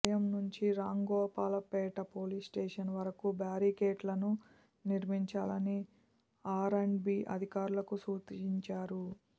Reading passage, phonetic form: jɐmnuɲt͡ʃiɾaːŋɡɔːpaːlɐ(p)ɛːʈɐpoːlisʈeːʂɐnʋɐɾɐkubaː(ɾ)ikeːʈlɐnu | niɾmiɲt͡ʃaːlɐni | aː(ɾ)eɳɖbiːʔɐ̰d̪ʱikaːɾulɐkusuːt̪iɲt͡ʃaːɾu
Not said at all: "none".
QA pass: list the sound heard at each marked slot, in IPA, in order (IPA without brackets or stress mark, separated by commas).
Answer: p, ɾ, ɾ